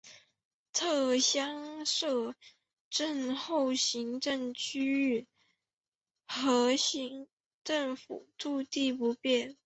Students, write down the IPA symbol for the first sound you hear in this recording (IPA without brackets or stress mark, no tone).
t̪ʰ